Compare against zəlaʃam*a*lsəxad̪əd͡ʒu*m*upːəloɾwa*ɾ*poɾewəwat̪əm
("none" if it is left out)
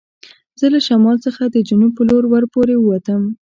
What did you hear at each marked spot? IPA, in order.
ɑ, n, ɾ

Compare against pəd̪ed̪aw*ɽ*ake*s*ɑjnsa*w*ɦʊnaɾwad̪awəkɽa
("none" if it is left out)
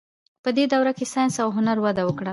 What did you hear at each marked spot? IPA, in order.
ɾ, s, w

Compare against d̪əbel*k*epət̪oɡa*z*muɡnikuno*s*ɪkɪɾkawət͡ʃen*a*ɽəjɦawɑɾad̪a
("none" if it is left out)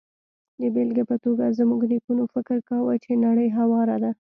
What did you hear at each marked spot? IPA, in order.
ɡ, z, f, a

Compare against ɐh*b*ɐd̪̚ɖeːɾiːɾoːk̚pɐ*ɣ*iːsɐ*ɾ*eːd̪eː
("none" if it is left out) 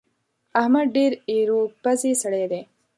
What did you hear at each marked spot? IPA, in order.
m, z, ɽ

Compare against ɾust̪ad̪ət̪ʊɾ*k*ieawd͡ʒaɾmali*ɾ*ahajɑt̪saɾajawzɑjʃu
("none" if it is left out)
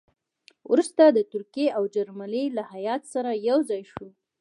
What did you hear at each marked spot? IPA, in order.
k, l

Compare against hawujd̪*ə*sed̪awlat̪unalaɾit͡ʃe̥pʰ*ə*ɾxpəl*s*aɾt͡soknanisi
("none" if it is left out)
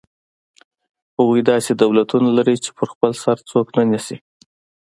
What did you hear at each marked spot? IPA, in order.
ɑ, ə, s

